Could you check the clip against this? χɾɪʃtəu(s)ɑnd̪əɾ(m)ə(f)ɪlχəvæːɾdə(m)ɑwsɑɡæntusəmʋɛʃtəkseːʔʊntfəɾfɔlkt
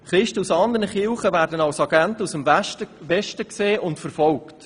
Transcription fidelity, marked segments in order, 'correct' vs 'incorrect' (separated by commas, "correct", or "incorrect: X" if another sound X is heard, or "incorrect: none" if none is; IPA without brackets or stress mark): correct, incorrect: n, incorrect: χ, incorrect: n